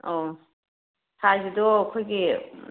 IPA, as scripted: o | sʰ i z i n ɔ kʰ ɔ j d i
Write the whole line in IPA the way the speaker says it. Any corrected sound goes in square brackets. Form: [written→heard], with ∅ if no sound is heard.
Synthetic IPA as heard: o | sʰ [i→a] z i [n→d] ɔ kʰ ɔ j [d→ɡ] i